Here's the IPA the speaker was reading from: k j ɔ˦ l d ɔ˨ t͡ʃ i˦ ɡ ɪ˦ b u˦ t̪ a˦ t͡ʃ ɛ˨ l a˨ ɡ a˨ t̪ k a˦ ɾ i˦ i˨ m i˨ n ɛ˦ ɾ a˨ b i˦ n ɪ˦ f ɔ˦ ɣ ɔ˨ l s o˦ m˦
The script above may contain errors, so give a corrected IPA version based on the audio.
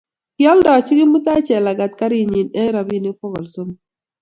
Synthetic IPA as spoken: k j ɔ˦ l d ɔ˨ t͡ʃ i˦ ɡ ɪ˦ m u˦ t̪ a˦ t͡ʃ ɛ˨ l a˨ ɡ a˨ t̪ k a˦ ɾ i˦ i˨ ɲ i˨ n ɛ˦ ɾ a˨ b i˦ n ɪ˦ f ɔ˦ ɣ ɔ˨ l s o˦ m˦